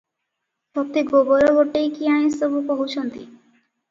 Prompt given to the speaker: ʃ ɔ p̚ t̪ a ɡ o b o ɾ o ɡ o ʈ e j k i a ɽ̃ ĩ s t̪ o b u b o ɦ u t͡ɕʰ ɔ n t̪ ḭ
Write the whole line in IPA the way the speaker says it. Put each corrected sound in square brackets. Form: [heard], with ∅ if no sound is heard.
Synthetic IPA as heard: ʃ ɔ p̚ t̪ [i] ɡ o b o ɾ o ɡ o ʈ e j k i a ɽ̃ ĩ s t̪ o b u [p] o ɦ u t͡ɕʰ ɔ n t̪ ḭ

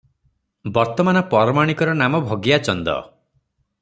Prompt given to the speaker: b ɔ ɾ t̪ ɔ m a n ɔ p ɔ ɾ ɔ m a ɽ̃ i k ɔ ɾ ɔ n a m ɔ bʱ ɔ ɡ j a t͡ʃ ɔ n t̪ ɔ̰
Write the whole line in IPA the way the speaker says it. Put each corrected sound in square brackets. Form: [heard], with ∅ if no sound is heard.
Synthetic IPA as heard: b ɔ ɾ t̪ ɔ m a n ɔ p ɔ ɾ ɔ m a ɽ̃ i k ɔ ɾ ɔ n a m ɔ bʱ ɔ ɡ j a t͡ʃ ɔ n [d̪] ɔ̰

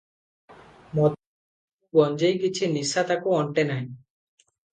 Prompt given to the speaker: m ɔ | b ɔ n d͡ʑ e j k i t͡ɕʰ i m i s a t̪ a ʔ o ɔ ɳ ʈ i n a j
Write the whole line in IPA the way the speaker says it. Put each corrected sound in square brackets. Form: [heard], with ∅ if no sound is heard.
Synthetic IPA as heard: m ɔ | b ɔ n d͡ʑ e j k i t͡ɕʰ i [n] i s a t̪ a [k] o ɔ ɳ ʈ [e] n a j

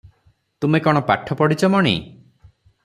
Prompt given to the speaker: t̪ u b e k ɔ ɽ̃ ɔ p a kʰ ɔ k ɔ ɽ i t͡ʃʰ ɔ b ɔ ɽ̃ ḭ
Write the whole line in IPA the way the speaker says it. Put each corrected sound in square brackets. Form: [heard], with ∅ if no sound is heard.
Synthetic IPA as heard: t̪ u [m] e k ɔ ɽ̃ ɔ p a [ʈʰ] ɔ [p] ɔ ɽ i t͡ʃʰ ɔ [m] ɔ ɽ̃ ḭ

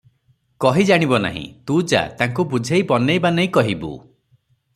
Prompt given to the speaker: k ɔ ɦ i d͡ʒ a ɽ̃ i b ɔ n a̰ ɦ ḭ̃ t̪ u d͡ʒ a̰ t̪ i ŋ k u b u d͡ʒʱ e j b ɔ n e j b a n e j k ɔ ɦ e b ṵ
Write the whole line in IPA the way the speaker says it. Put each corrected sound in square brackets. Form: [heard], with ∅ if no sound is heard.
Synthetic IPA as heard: k ɔ ɦ i d͡ʒ a ɽ̃ i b ɔ n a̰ ɦ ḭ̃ t̪ u d͡ʒ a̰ t̪ [a] ŋ k u b u d͡ʒʱ e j b ɔ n e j b a n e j k ɔ ɦ [i] b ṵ

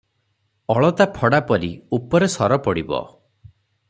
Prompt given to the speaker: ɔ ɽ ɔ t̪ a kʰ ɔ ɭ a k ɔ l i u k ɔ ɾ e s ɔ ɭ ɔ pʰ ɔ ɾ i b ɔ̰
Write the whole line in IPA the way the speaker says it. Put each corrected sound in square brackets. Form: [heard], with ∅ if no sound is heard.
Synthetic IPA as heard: ɔ [ɭ] ɔ t̪ a [pʰ] ɔ [ɽ] a [p] ɔ [ɾ] i u [p] ɔ ɾ e s ɔ [ɾ] ɔ [p] ɔ [ɽ] i b ɔ̰

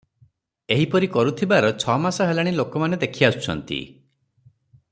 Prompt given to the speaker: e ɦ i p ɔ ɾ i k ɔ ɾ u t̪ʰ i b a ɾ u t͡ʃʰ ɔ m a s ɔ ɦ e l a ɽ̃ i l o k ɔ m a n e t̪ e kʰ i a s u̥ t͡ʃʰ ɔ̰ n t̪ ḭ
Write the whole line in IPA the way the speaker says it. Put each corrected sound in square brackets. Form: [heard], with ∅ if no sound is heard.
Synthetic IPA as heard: e ɦ i p ɔ ɾ i k ɔ ɾ u t̪ʰ i b a ɾ [ɔ] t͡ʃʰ ɔ m a s ɔ ɦ e l a ɽ̃ i l o k ɔ m a n e [d̪] e kʰ i a s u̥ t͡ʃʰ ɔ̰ n t̪ ḭ

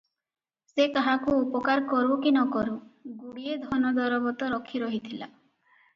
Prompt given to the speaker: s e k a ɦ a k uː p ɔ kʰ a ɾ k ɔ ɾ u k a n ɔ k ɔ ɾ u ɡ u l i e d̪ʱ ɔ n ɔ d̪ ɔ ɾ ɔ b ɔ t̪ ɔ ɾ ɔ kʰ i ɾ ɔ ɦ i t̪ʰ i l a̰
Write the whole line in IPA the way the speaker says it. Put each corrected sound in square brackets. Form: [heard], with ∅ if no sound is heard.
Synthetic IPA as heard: s e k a ɦ a k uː p ɔ [k] a ɾ k ɔ ɾ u k [i] n ɔ k ɔ ɾ u ɡ u [ɽ] i e d̪ʱ ɔ n ɔ d̪ ɔ ɾ ɔ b ɔ t̪ ɔ ɾ ɔ kʰ i ɾ ɔ ɦ i t̪ʰ i l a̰

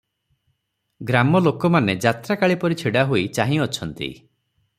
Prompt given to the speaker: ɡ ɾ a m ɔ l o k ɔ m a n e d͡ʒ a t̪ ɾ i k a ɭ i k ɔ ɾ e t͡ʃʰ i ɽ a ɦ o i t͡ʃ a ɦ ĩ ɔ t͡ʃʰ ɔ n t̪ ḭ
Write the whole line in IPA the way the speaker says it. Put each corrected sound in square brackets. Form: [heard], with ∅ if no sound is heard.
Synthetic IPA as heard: ɡ ɾ a m ɔ l o k ɔ m a n e d͡ʒ a t̪ ɾ [a] k a ɭ i [p] ɔ ɾ [i] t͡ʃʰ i ɽ a ɦ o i t͡ʃ a ɦ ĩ ɔ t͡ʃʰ ɔ n t̪ ḭ

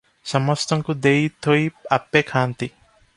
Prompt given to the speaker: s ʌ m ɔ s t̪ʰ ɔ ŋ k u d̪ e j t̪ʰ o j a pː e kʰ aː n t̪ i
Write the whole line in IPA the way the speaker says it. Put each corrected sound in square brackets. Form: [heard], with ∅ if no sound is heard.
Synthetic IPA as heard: s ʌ m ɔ s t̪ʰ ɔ ŋ k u d̪ e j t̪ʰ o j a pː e kʰ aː n t̪ i

